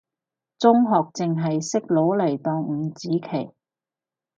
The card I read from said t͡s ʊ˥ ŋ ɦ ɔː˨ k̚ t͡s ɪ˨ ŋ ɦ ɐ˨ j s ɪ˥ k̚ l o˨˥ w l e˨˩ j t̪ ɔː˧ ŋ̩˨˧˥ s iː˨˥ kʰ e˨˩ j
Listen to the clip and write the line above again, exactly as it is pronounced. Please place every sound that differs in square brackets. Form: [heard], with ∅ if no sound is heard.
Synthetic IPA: t͡s ʊ˥ ŋ ɦ ɔː˨ k̚ t͡s ɪ˨ ŋ ɦ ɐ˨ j s ɪ˥ k̚ l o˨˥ w l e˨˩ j t̪ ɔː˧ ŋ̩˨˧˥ [t͡s] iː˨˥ kʰ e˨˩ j